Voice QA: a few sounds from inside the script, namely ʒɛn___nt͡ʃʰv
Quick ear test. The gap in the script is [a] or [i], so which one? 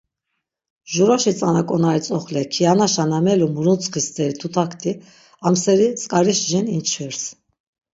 i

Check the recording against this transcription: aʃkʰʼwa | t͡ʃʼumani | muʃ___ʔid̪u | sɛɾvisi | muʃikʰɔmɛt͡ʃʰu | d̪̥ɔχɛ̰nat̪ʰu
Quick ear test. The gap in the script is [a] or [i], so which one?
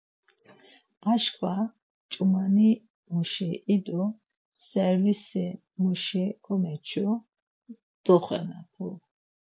i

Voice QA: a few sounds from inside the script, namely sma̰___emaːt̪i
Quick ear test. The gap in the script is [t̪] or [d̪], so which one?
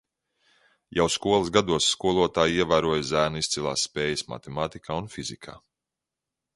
t̪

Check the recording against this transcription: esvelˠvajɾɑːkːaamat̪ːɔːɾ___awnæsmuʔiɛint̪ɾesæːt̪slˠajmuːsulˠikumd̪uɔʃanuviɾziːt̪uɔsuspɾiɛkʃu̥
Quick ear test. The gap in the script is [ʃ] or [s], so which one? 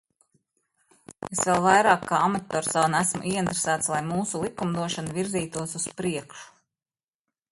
s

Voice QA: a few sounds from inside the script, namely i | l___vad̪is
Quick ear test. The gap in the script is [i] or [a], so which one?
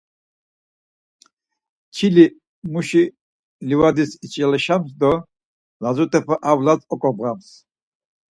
i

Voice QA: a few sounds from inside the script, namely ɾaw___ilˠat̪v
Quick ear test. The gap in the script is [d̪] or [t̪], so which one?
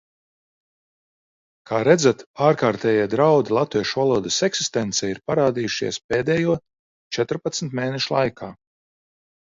d̪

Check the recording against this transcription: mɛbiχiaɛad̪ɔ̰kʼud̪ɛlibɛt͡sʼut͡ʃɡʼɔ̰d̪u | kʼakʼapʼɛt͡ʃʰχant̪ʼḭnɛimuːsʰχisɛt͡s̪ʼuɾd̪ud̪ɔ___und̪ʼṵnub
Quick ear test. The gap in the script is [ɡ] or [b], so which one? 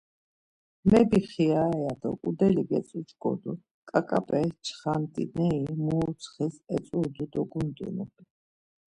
ɡ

